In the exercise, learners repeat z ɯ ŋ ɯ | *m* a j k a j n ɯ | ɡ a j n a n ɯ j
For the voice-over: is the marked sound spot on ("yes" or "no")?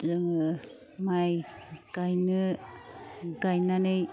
yes